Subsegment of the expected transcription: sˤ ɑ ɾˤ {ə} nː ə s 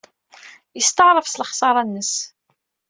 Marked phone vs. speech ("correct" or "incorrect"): incorrect